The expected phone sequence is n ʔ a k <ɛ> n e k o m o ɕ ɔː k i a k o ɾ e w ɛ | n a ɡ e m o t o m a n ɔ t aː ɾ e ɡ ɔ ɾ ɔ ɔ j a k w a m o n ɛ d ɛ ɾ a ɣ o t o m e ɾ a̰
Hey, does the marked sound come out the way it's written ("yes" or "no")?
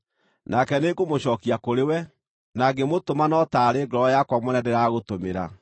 yes